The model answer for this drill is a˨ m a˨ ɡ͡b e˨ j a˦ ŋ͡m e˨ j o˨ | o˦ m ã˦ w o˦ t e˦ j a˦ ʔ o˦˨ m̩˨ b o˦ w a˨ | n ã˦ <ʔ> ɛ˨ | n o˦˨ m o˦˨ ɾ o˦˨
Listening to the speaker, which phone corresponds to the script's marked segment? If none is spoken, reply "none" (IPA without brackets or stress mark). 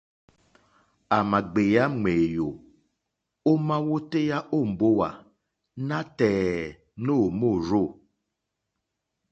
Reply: t